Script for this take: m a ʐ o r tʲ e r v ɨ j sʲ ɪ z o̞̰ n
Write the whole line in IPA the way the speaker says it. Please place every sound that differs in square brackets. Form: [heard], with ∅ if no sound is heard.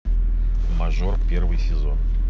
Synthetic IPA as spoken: m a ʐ o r [pʲ] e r v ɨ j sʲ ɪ z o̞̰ n